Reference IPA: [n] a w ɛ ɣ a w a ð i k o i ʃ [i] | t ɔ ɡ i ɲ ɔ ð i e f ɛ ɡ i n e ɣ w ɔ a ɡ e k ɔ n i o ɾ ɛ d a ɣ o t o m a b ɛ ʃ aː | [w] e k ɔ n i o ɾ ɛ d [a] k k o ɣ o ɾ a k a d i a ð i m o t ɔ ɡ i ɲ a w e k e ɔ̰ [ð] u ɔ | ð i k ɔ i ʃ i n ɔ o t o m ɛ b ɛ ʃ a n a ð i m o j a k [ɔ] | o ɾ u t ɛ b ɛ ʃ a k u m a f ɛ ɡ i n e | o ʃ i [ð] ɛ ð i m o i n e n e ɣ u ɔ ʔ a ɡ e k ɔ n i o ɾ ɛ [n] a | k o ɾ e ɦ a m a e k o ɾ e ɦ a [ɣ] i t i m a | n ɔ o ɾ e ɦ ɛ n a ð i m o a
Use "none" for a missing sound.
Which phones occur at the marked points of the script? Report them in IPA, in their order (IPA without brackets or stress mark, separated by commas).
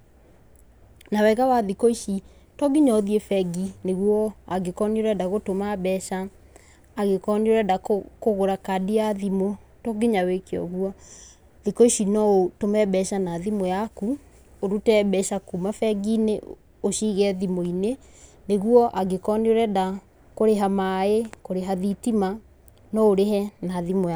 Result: n, i, ɣ, a, ɣ, u, ɣ, d, ð